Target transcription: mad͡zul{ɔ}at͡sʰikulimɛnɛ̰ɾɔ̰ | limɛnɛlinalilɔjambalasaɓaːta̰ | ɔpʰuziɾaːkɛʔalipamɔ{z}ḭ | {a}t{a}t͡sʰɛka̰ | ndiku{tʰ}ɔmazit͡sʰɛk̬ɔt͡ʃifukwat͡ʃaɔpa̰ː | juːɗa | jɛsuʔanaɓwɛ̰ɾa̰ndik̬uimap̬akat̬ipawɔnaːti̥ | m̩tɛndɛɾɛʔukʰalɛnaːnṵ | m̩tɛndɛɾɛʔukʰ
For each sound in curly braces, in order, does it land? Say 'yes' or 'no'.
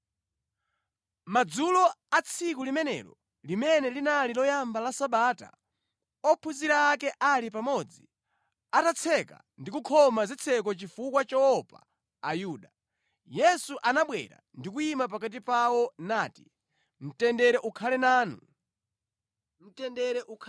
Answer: yes, no, yes, yes, no

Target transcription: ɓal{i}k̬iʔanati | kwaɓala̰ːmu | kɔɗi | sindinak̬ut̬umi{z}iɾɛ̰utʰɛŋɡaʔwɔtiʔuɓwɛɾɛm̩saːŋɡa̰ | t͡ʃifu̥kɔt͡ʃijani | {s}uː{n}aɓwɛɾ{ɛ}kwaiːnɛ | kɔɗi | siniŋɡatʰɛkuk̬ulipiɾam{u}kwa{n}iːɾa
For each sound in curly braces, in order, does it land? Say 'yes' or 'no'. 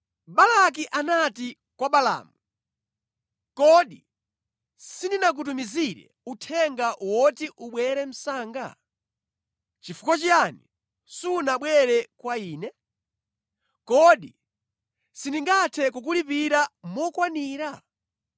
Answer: no, yes, yes, yes, yes, no, yes

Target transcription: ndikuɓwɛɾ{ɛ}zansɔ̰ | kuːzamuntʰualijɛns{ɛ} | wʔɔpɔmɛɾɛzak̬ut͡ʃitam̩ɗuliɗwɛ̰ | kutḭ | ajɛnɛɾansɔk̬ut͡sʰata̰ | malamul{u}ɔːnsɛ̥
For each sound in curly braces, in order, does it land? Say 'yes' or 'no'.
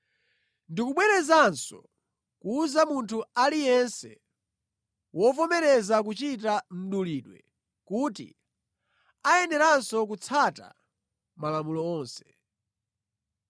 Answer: yes, yes, no

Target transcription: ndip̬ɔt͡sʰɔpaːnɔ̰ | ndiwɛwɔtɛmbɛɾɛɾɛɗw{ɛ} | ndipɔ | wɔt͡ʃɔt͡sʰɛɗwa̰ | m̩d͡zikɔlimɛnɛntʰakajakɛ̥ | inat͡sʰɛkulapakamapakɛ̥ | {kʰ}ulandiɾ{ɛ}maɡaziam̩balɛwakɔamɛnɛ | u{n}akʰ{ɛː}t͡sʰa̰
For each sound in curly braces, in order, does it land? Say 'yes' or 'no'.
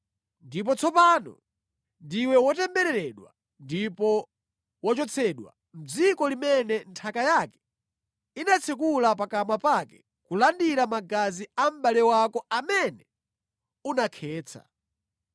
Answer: no, no, no, yes, yes

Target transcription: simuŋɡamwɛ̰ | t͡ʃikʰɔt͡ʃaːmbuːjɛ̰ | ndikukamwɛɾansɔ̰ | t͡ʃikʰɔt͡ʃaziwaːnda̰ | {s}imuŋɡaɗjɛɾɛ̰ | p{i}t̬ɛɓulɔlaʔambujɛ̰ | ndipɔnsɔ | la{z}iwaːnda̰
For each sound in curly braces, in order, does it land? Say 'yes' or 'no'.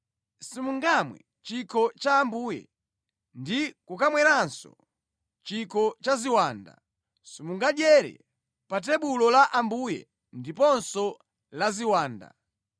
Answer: yes, no, yes

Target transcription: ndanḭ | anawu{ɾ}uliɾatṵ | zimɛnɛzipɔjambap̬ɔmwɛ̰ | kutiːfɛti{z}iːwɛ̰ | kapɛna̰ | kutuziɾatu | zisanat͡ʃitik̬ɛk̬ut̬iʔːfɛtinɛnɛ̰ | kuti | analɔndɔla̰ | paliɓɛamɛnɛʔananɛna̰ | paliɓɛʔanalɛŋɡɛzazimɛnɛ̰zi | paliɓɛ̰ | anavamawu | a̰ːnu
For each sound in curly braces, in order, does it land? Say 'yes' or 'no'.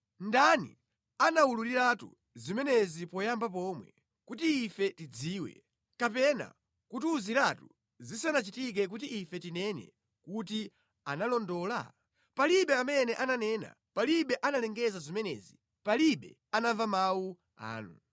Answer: no, no

